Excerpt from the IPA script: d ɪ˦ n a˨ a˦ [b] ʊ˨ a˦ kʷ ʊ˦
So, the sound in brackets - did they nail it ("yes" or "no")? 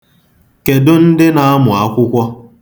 no